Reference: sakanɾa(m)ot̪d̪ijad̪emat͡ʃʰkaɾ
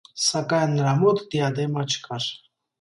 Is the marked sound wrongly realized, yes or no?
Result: no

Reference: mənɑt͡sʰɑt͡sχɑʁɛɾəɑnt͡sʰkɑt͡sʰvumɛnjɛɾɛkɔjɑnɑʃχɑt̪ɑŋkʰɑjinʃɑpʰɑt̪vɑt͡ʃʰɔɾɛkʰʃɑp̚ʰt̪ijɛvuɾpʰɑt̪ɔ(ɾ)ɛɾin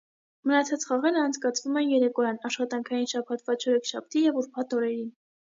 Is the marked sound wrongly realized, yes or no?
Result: no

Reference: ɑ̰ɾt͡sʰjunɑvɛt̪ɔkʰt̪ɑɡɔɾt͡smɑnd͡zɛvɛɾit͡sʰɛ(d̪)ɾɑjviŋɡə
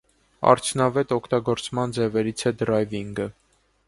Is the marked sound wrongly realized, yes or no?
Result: no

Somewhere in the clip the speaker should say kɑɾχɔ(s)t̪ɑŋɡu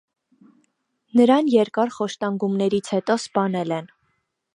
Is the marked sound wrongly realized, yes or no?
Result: yes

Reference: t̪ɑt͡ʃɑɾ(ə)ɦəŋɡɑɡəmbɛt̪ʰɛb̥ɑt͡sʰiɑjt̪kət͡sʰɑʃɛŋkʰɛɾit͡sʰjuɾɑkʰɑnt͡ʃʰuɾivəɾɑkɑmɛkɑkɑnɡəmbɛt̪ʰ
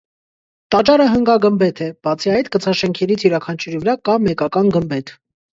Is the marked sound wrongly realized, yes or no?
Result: no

